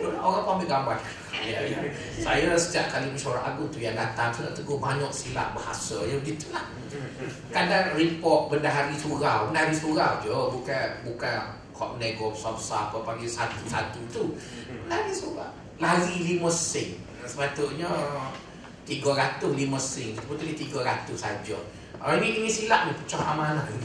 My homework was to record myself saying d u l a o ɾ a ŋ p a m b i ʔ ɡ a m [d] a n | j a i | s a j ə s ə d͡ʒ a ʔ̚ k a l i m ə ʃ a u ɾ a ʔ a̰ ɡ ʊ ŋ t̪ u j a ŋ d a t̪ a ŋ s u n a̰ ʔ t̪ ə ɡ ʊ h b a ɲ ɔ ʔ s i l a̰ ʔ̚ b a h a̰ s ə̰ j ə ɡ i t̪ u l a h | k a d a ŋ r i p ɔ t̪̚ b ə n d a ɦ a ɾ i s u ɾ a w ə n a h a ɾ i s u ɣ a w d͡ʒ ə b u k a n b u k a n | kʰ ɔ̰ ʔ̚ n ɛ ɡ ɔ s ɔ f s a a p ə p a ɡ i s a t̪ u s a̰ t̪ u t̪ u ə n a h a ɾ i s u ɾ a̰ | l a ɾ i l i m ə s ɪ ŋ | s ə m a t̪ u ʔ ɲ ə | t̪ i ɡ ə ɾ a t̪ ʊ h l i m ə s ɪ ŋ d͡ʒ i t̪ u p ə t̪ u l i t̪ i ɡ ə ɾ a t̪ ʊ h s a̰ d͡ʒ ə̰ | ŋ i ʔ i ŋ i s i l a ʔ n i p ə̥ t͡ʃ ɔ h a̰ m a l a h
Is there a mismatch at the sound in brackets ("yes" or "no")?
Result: yes